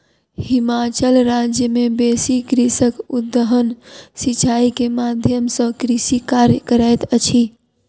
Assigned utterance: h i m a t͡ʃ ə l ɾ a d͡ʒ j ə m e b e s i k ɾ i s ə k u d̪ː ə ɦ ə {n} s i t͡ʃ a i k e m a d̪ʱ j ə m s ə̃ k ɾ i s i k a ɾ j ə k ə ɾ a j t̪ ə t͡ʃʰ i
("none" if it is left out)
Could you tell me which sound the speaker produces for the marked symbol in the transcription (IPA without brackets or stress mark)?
n